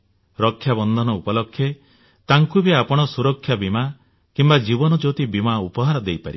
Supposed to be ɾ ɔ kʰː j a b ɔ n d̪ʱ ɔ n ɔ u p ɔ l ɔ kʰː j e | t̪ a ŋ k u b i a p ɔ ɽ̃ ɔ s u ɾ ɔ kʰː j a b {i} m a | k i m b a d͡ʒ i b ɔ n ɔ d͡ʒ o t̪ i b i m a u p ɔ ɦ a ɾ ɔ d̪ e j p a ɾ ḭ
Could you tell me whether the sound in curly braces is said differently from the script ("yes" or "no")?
no